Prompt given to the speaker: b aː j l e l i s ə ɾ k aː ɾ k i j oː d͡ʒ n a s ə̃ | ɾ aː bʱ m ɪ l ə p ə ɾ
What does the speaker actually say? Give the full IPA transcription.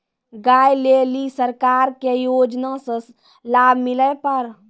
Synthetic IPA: ɡ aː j l e l i s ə ɾ k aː ɾ k e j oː d͡ʒ n a s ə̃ | l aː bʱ m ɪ l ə p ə ɾ